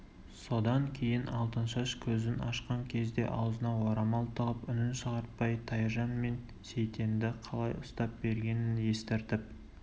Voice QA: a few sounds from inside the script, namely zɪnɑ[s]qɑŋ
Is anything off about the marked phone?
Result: yes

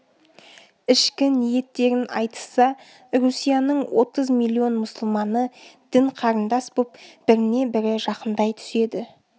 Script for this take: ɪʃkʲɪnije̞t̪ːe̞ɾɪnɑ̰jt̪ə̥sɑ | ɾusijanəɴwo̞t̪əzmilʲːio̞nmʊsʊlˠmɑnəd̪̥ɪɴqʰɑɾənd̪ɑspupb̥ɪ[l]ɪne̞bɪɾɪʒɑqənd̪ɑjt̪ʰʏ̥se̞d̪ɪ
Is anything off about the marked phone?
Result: yes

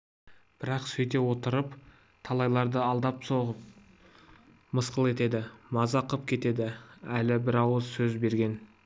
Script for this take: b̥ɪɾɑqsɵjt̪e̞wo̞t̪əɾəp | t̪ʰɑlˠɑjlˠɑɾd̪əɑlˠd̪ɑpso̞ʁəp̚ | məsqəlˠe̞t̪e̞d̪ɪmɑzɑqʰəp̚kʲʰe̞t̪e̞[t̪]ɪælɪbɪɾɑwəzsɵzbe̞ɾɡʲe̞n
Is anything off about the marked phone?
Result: yes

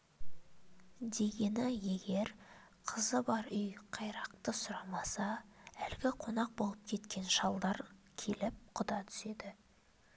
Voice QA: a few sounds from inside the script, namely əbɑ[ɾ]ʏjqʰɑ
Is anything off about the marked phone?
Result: no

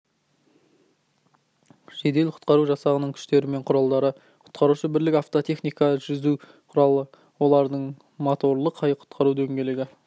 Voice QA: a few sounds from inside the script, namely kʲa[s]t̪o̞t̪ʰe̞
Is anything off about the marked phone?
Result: yes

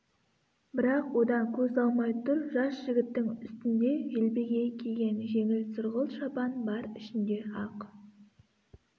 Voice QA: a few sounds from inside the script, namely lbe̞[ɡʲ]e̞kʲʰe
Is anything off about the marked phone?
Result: no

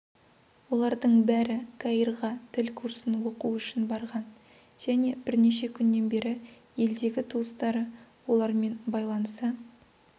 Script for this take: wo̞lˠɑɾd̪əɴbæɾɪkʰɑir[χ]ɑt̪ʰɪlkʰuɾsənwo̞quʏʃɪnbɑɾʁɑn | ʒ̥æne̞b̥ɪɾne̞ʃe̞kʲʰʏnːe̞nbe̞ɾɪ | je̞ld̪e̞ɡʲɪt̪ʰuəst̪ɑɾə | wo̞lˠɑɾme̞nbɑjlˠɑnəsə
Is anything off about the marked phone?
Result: yes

